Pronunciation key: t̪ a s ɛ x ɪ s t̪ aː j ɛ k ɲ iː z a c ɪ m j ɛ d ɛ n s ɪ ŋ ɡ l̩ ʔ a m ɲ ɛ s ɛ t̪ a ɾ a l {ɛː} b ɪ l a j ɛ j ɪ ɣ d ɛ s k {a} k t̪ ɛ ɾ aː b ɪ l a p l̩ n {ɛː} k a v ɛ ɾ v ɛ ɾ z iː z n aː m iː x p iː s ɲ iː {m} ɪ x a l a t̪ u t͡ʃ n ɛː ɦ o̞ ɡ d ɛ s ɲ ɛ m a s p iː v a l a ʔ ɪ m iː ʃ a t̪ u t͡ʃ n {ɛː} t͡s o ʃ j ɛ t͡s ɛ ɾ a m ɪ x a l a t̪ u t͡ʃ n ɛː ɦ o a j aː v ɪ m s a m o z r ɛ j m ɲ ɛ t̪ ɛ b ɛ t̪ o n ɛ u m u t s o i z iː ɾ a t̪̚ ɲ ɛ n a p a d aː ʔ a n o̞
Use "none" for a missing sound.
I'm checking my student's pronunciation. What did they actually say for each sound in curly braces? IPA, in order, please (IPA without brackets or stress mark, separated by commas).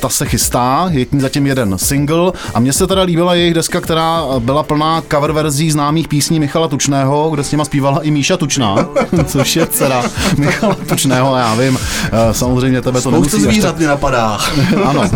iː, a, aː, m, aː